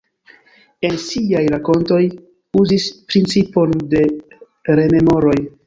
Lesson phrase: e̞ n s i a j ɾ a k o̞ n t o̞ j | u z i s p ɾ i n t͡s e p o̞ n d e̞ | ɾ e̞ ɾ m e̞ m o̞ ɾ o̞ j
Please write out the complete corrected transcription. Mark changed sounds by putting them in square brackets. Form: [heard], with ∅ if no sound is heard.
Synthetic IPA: e̞ n s i a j ɾ a k o̞ n t o̞ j | u z i s p ɾ i n t͡s [i] p o̞ n d e̞ | ɾ e̞ [∅] m e̞ m o̞ ɾ o̞ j